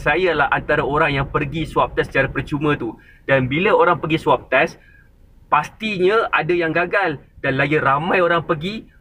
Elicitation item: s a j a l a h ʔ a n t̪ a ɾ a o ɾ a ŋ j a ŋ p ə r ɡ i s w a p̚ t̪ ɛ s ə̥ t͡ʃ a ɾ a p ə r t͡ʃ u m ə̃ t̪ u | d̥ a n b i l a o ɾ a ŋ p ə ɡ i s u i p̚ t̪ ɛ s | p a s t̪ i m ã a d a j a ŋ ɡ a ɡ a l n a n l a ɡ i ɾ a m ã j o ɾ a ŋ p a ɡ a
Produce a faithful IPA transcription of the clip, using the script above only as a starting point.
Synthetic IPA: s a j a l a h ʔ a n t̪ a ɾ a o ɾ a ŋ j a ŋ p ə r ɡ i s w a p̚ t̪ ɛ s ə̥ t͡ʃ a ɾ a p ə r t͡ʃ u m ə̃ t̪ u | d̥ a n b i l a o ɾ a ŋ p ə ɡ i s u a p̚ t̪ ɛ s | p a s t̪ i ɲ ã a d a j a ŋ ɡ a ɡ a l d a n l a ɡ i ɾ a m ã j o ɾ a ŋ p ə ɡ i